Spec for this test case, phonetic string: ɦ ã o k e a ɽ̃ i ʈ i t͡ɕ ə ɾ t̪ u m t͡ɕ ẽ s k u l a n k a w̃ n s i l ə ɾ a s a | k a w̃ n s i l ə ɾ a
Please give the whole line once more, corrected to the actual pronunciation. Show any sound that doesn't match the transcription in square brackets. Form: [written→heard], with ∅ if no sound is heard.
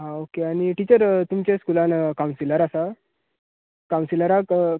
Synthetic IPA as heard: ɦ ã o k e a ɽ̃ i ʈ i t͡ɕ ə ɾ t̪ u m t͡ɕ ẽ s k u l a n k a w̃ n s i l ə ɾ a s a | k a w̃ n s i l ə ɾ a